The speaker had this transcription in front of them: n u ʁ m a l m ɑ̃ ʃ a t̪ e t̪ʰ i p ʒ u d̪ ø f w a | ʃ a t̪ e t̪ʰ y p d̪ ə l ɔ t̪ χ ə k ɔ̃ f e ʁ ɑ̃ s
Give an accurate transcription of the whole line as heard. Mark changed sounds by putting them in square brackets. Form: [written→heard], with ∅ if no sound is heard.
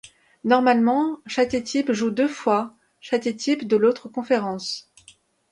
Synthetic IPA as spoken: n [u→ɔ] ʁ m a l m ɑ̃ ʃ a t̪ e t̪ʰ i p ʒ u d̪ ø f w a | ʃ a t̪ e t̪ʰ [y→i] p d̪ ə l [ɔ→o] t̪ χ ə k ɔ̃ f e ʁ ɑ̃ s